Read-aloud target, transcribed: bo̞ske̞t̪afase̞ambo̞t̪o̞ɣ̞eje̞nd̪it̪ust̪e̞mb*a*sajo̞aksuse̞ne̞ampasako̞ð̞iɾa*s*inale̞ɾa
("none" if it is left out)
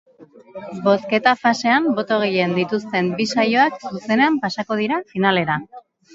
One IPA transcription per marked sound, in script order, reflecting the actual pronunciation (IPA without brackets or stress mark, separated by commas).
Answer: i, f